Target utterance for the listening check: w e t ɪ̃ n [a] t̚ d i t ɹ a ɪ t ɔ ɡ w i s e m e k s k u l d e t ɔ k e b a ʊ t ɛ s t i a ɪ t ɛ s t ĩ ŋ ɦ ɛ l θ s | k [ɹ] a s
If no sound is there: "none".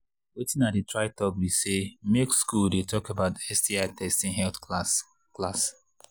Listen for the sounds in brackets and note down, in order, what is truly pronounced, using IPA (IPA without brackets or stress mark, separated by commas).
a, l